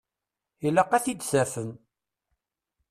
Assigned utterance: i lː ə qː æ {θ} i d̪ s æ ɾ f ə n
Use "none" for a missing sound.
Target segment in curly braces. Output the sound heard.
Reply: θ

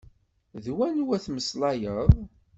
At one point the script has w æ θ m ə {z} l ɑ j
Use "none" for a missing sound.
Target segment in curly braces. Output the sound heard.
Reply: s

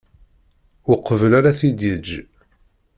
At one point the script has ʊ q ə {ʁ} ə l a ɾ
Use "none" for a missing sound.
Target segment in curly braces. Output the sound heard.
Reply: v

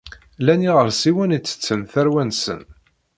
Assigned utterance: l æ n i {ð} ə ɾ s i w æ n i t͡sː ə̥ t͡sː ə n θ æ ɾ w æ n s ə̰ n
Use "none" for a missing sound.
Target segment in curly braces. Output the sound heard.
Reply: ʁ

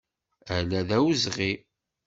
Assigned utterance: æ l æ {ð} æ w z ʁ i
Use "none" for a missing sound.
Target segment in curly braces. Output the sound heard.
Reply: ð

